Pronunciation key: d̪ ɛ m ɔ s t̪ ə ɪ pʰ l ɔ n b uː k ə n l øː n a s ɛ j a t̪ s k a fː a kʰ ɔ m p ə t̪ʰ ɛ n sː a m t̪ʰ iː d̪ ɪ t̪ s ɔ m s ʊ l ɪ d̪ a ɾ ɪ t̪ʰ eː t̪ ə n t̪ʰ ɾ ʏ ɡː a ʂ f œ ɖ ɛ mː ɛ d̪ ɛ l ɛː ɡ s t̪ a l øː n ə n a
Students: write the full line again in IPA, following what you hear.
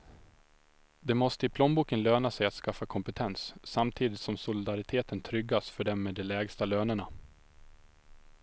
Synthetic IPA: d̪ ɛ m ɔ s t̪ ə ɪ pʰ l ɔ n b uː k ə n l øː n a s ɛ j a t̪ s k a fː a kʰ ɔ m p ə t̪ʰ ɛ n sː a m t̪ʰ iː d̪ ɪ t̪ s ɔ m s ʊ l ɪ d̪ a ɾ ɪ t̪ʰ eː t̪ ə n t̪ʰ ɾ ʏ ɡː a s f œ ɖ ɛ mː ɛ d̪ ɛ l ɛː ɡ s t̪ a l øː n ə ɳ a